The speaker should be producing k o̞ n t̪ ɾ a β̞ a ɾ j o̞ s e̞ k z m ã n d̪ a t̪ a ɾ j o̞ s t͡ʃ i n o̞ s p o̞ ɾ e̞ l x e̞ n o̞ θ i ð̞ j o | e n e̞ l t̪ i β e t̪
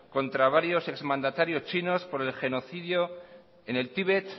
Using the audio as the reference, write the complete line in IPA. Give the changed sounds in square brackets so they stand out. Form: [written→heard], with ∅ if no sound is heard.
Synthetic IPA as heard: k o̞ n t̪ ɾ a β̞ a ɾ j o̞ s e̞ k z m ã n d̪ a t̪ a ɾ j o̞ s t͡ʃ i n o̞ s p o̞ ɾ e̞ l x e̞ n o̞ θ i ð̞ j o | e n e̞ l t̪ i β e t̪